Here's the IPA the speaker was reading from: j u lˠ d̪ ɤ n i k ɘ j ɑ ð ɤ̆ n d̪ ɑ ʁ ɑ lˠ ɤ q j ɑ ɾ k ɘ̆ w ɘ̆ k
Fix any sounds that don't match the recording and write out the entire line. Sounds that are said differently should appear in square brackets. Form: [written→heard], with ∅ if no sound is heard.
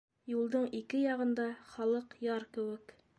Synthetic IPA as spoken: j u lˠ d̪ ɤ [n→ɴ] i k ɘ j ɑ [ð→ʁ] ɤ̆ n d̪ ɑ [ʁ→χ] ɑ lˠ ɤ q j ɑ ɾ k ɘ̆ w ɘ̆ k